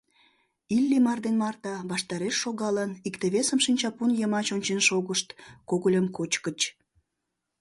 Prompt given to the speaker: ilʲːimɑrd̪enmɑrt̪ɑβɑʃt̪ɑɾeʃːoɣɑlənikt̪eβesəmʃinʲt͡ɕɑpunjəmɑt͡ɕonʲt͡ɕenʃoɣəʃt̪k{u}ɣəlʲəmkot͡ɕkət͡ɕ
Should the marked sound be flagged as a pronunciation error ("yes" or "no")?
yes